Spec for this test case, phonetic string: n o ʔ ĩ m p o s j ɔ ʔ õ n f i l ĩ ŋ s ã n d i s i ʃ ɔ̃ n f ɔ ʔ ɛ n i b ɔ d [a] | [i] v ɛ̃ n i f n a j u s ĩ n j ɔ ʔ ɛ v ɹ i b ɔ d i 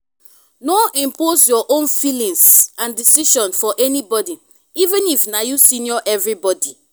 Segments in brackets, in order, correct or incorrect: incorrect: i, correct

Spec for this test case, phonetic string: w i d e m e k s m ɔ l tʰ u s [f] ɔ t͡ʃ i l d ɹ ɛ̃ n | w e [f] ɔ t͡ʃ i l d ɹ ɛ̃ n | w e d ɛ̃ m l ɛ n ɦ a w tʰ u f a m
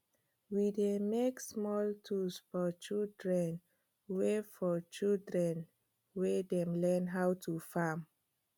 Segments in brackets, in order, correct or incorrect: correct, correct

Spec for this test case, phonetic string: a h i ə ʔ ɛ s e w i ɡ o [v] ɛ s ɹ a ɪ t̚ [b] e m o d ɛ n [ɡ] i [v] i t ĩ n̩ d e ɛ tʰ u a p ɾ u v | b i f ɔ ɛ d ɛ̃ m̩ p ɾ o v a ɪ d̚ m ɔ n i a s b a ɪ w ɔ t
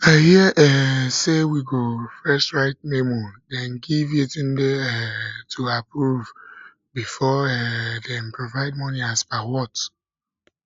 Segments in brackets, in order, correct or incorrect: incorrect: f, incorrect: m, correct, correct

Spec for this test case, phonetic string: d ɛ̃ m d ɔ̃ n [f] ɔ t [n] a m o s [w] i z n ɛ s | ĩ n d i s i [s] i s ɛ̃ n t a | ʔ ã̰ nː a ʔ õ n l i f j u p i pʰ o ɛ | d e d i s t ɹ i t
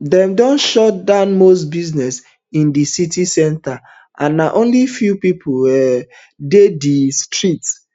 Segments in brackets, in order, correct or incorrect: incorrect: ʃ, incorrect: d, incorrect: b, incorrect: t

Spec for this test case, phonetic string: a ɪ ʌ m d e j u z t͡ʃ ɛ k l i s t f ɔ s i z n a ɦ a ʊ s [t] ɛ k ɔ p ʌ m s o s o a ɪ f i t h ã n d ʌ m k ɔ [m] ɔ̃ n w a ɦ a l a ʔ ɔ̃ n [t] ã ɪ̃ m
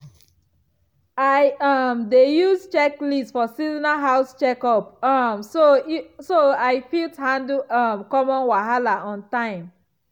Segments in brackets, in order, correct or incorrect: incorrect: t͡ʃ, correct, correct

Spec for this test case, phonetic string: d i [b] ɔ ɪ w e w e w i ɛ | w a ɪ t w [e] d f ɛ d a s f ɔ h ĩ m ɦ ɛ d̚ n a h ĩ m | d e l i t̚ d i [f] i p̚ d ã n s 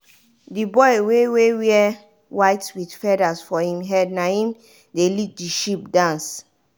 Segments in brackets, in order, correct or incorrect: correct, incorrect: i, incorrect: ʃ

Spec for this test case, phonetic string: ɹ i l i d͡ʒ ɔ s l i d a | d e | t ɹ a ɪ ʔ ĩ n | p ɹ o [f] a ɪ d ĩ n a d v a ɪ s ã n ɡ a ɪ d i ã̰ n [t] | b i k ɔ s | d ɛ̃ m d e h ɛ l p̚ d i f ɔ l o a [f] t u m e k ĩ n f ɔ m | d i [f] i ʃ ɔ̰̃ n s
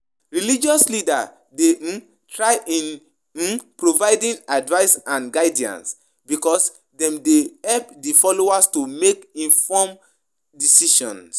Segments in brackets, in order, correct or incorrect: incorrect: v, incorrect: s, incorrect: s, incorrect: s

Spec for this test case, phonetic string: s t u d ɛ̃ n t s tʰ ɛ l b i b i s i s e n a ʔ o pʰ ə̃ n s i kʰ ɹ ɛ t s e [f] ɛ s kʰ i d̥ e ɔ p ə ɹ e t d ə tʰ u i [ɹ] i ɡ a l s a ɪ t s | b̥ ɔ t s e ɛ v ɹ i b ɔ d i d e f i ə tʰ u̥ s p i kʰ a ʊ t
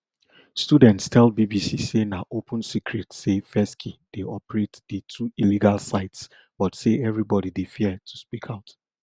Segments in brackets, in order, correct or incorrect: correct, incorrect: l

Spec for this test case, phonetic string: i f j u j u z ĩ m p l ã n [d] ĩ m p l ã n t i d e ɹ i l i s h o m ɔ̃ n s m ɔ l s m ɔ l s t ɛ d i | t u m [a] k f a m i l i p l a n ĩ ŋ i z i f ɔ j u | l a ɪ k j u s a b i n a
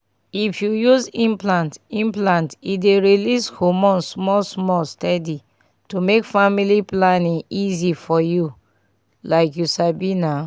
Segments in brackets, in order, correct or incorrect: incorrect: t, incorrect: e

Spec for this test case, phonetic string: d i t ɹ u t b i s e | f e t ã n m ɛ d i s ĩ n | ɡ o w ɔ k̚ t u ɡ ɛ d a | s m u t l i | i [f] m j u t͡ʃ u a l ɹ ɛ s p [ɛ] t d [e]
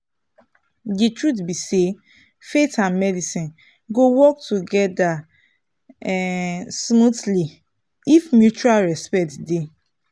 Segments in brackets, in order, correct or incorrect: correct, correct, correct

